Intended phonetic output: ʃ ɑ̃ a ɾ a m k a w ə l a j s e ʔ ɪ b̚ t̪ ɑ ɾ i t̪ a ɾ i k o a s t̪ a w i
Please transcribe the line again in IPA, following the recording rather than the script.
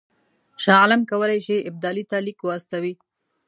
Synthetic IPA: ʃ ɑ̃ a l a m k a w ə l a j ʃ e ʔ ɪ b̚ d̪ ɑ l i t̪ a l i k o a s t̪ a w i